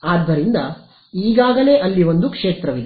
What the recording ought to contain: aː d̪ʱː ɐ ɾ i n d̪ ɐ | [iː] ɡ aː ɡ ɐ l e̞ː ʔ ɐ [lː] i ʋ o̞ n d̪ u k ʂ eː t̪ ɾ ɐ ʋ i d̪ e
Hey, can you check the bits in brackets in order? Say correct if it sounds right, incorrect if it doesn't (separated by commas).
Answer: correct, correct